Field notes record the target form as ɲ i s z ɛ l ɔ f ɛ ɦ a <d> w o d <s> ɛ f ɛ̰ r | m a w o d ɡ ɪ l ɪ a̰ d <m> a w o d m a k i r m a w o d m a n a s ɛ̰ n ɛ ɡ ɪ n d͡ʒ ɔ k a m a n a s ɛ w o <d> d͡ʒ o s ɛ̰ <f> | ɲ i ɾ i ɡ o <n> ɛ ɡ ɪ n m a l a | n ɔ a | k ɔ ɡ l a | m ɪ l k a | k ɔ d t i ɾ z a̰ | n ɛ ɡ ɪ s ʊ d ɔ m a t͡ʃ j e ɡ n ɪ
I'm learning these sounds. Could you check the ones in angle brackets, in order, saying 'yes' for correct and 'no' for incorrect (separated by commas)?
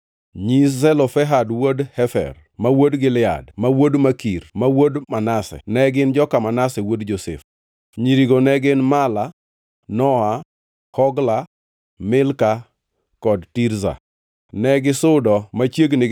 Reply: yes, no, yes, yes, yes, yes